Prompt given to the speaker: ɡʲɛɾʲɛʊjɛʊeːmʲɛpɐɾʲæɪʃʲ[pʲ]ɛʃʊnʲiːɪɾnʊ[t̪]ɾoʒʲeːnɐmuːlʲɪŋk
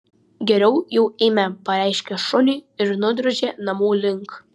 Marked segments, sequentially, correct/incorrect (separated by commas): incorrect, incorrect